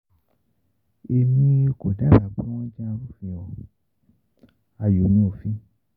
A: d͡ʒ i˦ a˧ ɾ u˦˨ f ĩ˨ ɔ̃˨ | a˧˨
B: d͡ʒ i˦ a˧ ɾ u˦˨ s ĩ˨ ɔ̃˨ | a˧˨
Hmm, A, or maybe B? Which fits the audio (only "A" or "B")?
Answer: A